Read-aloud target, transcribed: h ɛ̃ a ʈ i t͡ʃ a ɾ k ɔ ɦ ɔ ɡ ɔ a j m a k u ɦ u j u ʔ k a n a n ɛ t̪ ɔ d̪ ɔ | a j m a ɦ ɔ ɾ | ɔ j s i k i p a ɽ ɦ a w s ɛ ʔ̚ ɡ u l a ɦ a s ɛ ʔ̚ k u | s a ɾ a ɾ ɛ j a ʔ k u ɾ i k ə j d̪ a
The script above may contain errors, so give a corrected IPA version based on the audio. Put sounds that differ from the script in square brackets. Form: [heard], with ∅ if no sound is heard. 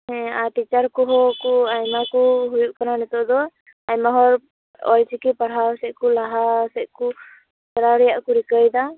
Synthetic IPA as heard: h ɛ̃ a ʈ i t͡ʃ a ɾ k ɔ ɦ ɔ [k] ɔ a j m a k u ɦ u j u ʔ k a n a n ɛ t̪ ɔ d̪ ɔ | a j m a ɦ ɔ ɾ | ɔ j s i k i p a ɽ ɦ a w s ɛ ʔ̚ [k] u l a ɦ a s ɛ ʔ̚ k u | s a ɾ a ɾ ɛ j a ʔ k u ɾ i k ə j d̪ a